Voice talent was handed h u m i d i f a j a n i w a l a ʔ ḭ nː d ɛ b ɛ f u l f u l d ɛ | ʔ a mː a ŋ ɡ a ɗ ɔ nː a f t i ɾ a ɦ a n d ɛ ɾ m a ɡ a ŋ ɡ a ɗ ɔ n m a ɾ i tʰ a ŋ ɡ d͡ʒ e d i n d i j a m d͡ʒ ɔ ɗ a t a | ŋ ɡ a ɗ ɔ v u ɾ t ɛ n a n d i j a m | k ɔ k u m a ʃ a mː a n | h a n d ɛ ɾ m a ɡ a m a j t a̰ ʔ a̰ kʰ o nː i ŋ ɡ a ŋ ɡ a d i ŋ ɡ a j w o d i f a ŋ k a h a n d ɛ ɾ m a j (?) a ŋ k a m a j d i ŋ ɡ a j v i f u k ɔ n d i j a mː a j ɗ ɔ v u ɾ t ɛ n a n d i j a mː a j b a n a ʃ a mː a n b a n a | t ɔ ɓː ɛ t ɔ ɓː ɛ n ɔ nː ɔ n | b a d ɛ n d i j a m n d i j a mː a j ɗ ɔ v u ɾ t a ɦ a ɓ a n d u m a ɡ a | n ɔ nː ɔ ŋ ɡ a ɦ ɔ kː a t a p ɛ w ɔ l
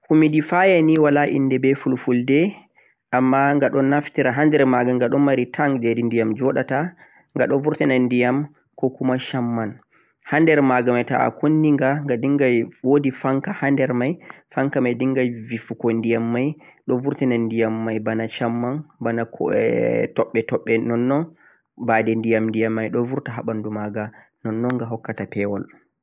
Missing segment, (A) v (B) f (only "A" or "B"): B